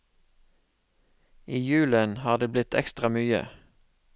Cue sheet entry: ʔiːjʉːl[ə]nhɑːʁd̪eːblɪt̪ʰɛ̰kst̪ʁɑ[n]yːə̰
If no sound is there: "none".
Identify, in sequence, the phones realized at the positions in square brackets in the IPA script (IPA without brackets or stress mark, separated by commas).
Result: ə, m